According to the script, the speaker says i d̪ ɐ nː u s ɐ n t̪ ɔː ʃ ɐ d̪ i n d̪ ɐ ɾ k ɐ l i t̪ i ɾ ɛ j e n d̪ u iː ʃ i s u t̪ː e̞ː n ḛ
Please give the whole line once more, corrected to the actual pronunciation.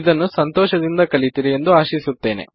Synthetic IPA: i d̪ ɐ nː u s ɐ n t̪ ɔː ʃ ɐ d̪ i n d̪ ɐ k ɐ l i t̪ i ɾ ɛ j e n d̪ u aː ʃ i s u t̪ː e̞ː n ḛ